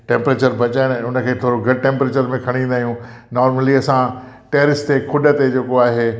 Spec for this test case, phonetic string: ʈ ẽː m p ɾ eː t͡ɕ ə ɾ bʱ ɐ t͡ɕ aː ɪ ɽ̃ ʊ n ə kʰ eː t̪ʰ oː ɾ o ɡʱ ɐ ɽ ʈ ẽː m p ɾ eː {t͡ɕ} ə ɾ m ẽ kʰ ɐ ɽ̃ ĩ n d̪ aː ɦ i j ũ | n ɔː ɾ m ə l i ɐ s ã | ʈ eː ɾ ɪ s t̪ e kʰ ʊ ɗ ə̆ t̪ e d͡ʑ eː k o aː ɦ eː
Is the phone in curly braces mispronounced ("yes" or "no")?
no